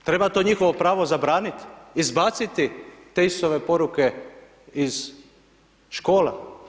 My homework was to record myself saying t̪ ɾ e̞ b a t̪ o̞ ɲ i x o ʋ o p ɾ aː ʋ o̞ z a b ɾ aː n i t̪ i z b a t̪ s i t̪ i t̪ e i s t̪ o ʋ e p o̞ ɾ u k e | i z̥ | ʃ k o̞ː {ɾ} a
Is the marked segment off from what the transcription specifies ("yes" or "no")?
yes